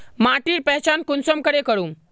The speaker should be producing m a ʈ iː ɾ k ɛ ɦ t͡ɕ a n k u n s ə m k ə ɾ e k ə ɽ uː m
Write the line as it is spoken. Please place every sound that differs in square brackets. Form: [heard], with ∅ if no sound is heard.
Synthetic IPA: m a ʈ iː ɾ [p] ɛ ɦ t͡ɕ a n k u n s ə m k ə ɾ e k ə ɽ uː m